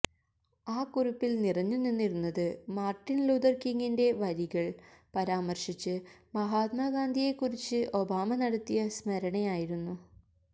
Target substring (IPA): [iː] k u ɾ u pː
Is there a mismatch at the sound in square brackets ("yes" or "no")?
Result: yes